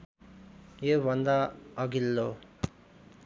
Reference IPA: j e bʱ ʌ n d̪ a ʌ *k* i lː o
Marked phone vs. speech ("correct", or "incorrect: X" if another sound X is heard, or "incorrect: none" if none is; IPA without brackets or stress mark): incorrect: ɡ